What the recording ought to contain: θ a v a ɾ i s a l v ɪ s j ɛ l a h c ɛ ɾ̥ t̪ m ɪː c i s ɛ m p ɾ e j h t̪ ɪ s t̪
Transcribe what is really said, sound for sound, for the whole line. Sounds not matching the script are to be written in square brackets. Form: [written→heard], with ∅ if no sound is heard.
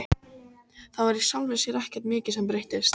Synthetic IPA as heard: θ a v a ɾ i s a l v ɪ s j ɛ [l→ɾ] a h c ɛ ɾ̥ t̪ m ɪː c [i→ɪ] s ɛ m p ɾ e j h t̪ ɪ s t̪